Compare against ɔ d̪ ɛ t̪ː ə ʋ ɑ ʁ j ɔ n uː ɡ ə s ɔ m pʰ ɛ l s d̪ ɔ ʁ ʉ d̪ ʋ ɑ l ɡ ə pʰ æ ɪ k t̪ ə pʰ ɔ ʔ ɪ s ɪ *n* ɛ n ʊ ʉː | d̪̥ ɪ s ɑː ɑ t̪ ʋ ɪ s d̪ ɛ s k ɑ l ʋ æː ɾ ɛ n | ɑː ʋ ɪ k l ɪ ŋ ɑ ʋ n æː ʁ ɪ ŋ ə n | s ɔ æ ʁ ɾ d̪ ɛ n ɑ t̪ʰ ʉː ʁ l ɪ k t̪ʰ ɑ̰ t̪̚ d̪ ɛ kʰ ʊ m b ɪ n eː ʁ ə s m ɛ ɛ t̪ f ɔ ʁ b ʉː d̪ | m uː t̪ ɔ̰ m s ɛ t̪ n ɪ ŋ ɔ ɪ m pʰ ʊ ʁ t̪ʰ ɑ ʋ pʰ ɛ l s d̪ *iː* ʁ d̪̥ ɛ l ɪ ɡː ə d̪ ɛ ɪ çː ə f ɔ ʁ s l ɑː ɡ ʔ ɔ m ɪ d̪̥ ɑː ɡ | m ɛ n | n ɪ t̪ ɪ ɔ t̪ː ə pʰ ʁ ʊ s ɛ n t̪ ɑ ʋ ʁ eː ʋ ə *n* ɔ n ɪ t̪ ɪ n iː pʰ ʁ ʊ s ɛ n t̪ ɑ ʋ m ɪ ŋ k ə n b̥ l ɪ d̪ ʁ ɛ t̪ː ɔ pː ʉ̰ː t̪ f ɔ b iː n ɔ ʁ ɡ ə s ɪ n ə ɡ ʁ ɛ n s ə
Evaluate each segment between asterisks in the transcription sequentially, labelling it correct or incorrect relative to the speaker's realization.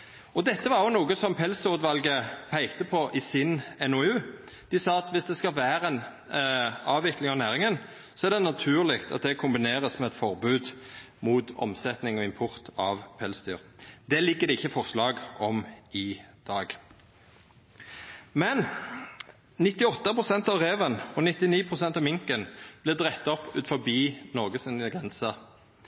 correct, incorrect: yː, correct

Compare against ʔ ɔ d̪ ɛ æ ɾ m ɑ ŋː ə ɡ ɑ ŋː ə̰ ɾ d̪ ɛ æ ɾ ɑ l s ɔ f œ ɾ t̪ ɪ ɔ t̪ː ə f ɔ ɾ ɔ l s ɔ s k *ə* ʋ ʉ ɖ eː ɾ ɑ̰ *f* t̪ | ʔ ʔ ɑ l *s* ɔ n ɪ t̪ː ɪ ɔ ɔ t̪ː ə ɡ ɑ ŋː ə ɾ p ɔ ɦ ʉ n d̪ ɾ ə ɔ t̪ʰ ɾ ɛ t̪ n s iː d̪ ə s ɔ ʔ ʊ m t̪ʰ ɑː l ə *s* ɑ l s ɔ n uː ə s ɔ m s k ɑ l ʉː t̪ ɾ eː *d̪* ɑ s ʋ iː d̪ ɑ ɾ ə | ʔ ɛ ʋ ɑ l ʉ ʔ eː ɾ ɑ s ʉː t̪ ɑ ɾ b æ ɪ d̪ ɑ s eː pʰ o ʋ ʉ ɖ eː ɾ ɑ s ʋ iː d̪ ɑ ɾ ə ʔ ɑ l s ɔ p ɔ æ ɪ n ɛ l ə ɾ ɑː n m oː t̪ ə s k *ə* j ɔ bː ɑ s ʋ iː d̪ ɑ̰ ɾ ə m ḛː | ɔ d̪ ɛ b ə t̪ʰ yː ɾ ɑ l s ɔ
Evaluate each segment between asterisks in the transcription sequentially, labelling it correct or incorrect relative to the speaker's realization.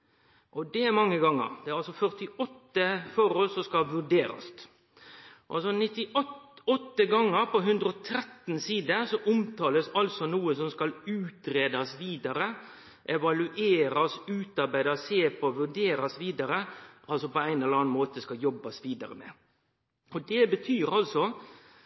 incorrect: ɑ, incorrect: s, correct, correct, correct, incorrect: ɑ

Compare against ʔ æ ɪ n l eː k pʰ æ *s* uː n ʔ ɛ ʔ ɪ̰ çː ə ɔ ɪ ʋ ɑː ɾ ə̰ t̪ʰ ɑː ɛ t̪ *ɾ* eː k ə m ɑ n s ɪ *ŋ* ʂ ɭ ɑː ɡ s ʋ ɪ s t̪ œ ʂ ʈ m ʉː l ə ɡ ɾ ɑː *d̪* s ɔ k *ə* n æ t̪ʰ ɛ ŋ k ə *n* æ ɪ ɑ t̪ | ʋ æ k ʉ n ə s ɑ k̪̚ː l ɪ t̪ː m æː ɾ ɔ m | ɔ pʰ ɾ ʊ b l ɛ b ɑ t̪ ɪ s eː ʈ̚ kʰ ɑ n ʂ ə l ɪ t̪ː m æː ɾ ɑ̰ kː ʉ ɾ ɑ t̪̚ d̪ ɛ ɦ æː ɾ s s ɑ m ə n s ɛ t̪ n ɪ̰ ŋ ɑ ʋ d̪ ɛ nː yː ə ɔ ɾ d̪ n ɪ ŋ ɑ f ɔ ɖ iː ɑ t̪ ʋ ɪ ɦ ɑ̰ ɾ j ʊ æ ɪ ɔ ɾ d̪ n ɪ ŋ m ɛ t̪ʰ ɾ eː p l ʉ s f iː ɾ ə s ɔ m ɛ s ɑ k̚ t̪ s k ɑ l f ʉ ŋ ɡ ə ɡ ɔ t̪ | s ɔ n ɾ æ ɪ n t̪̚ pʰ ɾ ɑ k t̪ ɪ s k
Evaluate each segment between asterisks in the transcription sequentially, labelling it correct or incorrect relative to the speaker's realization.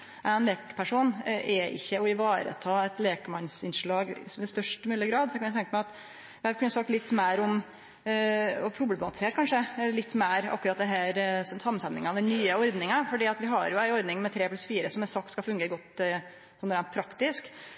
incorrect: ʂ, incorrect: l, incorrect: n, correct, incorrect: ɑ, incorrect: m

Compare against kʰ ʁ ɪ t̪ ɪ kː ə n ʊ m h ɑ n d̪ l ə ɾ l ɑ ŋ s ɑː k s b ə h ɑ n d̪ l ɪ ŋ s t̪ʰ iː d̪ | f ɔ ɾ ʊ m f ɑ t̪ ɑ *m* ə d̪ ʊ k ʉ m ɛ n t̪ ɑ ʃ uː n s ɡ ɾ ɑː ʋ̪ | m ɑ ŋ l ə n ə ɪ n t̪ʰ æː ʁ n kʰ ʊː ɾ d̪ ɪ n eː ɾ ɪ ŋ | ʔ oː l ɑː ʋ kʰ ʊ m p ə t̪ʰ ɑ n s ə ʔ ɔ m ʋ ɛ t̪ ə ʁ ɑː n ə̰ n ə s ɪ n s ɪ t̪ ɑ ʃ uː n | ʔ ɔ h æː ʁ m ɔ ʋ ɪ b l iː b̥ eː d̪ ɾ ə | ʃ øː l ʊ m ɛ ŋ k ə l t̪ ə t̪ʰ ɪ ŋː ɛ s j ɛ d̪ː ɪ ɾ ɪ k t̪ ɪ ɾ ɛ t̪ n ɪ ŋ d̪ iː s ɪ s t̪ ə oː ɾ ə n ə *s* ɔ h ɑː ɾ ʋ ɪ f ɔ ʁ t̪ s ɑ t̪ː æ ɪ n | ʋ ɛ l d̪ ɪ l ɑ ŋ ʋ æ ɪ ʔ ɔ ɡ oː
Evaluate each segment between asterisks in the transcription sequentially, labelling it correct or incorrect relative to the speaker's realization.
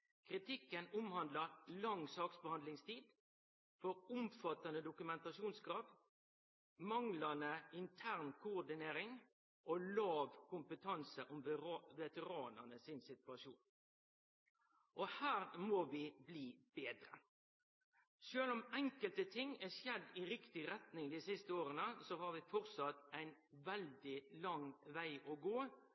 incorrect: n, correct

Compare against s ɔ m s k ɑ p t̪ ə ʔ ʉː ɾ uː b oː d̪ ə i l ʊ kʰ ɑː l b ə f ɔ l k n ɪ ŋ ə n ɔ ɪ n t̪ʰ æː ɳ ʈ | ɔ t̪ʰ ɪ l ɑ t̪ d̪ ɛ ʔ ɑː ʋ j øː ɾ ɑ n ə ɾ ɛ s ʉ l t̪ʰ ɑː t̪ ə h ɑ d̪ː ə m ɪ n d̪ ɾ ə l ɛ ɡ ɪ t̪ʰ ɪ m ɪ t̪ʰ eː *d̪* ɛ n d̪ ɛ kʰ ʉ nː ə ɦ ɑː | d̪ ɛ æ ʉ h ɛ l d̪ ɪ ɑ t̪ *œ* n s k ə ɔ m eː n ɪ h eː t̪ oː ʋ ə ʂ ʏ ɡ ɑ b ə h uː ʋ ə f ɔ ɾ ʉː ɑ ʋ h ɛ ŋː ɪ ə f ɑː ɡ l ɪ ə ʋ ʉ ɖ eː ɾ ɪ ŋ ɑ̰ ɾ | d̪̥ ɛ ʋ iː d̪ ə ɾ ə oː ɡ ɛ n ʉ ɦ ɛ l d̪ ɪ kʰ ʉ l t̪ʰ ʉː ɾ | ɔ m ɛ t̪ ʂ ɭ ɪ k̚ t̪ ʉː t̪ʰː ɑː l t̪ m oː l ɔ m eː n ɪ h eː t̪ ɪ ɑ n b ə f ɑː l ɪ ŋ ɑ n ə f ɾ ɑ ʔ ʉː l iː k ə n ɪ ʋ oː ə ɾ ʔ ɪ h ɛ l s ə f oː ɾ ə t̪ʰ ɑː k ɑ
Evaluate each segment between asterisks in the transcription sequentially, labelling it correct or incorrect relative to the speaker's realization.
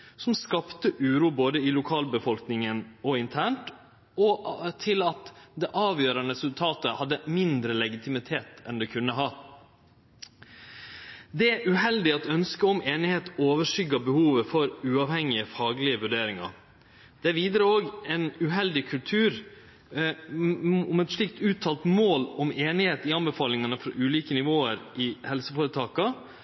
incorrect: t̪, correct

